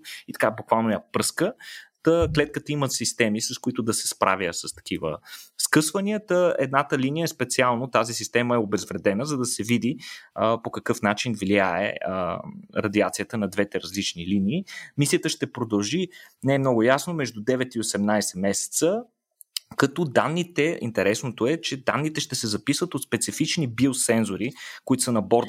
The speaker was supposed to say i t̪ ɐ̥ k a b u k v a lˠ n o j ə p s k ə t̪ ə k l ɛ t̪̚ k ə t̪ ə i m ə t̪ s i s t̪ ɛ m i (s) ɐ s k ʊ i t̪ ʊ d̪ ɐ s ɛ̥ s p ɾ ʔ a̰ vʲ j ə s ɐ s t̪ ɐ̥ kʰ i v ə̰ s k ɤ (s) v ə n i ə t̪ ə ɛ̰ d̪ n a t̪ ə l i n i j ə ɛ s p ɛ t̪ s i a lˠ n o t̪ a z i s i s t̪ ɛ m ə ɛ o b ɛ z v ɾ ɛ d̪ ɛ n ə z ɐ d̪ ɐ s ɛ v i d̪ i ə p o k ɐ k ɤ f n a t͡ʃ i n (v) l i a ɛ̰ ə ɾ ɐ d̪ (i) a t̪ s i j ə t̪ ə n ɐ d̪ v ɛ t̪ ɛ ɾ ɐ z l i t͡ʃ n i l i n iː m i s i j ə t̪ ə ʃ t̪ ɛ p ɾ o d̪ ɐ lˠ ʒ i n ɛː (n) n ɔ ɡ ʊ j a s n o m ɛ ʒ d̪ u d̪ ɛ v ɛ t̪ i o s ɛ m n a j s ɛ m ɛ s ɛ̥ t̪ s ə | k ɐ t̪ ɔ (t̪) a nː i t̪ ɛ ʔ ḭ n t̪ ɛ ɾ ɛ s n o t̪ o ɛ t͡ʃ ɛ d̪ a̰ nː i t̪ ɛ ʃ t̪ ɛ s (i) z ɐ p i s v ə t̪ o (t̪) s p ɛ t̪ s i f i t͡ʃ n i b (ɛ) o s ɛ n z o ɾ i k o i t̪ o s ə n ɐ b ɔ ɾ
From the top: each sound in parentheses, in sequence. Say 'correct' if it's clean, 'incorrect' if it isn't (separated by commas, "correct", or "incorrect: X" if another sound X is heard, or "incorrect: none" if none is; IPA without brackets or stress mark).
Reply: correct, correct, correct, correct, incorrect: m, incorrect: d̪, incorrect: ɛ, correct, incorrect: i